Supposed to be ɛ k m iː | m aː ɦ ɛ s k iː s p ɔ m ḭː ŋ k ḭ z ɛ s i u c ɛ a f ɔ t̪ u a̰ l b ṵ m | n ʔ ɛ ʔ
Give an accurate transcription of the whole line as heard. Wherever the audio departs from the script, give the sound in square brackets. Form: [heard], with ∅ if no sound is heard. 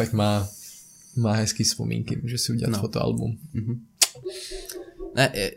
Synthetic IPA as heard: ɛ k m [aː] | m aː ɦ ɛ s k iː s p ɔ m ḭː ŋ k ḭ [ʒ] ɛ s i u [ɟ] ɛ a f ɔ t̪ [ɔ] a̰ l b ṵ m | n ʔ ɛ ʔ